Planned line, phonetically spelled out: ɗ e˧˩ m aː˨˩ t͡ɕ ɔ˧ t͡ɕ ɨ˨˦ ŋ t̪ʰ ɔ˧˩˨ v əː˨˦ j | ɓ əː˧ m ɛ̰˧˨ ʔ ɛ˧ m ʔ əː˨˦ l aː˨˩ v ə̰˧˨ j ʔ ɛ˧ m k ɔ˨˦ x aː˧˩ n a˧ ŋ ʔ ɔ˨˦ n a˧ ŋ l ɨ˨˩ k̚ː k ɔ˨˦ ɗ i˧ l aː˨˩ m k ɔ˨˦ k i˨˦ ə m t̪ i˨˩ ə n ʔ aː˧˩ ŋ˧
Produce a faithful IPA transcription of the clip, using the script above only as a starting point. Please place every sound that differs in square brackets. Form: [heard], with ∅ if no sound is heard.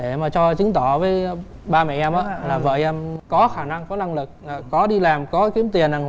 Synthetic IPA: ɗ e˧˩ m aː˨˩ t͡ɕ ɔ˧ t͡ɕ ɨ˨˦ ŋ [t̪] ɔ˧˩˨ v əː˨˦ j | ɓ [aː˧] m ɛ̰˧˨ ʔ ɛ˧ m ʔ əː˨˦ l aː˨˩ v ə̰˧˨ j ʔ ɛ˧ m k ɔ˨˦ x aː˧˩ n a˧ ŋ [k] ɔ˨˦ n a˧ ŋ l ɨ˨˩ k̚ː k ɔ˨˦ ɗ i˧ l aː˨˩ m k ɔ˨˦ k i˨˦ ə m t̪ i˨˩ ə n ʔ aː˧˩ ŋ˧